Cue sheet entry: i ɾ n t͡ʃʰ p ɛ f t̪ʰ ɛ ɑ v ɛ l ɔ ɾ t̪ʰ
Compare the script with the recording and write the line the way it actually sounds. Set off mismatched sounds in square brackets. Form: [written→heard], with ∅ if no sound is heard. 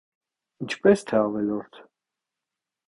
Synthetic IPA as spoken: i [ɾ→∅] n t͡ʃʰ p ɛ [f→s] t̪ʰ ɛ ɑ v ɛ l ɔ ɾ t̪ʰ